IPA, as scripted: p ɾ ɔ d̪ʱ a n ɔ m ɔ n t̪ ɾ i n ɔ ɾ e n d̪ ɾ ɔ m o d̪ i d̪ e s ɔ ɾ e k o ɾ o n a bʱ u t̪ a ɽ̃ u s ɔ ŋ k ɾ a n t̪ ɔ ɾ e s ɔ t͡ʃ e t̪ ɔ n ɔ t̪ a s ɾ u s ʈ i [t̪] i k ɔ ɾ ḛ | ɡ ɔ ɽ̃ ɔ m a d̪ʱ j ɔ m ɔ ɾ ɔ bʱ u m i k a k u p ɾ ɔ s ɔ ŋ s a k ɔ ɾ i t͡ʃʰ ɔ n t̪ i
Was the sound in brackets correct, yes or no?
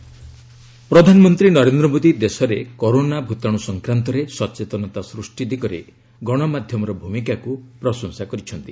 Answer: no